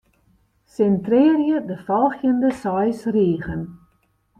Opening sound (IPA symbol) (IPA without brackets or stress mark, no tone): s